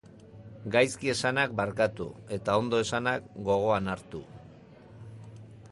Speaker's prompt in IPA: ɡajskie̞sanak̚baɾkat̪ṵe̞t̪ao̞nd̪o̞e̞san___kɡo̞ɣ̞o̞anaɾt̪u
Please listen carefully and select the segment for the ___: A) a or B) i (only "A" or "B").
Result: A